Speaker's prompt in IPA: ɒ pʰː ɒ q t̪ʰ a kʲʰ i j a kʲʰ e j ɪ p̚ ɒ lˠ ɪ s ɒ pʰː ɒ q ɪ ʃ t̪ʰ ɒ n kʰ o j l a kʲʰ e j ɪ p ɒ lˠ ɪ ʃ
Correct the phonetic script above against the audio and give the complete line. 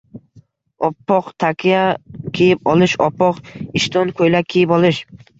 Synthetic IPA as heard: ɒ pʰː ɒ q t̪ʰ a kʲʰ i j a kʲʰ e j ɪ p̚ ɒ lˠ ɪ ʃ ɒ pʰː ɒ q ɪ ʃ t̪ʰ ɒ n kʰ o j l a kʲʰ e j ɪ p ɒ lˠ ɪ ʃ